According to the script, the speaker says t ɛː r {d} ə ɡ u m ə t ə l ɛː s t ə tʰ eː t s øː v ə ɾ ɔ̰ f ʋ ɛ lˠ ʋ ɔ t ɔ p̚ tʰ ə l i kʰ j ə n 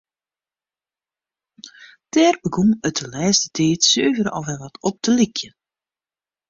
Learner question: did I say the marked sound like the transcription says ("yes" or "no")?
no